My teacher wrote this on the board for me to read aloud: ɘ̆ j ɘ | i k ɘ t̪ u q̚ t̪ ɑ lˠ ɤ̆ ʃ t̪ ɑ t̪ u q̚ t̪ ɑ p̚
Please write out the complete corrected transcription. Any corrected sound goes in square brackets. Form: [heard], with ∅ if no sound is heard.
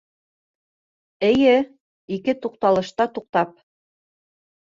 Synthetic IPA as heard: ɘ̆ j ɘ | i k ɘ t̪ u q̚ t̪ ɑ lˠ ɤ̆ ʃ t̪ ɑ t̪ u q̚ t̪ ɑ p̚